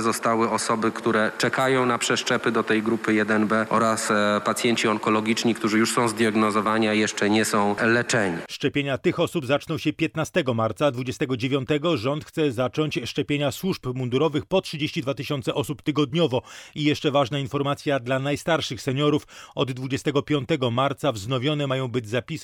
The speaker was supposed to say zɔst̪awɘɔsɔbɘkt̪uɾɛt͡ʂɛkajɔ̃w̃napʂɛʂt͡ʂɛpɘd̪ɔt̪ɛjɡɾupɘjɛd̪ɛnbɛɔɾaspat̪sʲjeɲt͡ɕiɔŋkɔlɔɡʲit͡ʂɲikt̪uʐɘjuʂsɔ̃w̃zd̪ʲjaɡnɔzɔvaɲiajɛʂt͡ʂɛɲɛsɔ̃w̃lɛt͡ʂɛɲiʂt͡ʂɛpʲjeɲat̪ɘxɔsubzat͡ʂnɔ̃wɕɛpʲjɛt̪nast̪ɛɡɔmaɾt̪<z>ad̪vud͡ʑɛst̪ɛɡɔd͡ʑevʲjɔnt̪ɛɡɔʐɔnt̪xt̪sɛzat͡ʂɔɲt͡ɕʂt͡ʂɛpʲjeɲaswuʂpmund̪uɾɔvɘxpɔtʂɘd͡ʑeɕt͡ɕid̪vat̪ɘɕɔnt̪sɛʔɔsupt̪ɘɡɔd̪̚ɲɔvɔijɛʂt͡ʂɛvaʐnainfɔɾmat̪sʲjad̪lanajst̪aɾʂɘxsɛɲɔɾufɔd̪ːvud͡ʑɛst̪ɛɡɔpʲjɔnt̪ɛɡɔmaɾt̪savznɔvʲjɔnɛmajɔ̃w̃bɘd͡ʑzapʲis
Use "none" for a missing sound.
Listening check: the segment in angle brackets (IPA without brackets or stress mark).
s